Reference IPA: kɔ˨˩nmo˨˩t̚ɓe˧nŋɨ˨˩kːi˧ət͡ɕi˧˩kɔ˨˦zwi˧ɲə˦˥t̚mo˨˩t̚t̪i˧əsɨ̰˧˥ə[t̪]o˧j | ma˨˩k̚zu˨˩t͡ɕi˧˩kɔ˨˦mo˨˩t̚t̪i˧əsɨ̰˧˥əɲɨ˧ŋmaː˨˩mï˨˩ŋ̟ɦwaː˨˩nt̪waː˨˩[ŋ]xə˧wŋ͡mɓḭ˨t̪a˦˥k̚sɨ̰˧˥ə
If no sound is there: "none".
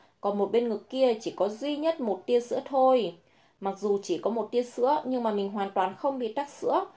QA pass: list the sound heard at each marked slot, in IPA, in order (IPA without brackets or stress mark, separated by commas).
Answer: t̪ʰ, n